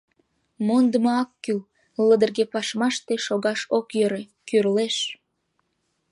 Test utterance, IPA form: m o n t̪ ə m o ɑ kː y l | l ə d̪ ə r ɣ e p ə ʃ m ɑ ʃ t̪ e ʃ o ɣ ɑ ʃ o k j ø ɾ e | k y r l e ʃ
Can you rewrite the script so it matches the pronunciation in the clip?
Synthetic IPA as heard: m o n d̪ ə m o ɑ kː y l | l ə d̪ ə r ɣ e p ɑ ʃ m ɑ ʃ t̪ e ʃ o ɣ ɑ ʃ o k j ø ɾ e | k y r l e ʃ